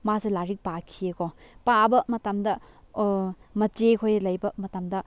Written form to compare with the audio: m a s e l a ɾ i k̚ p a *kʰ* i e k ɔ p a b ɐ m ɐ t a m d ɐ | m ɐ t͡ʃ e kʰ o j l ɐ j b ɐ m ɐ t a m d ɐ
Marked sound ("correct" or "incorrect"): correct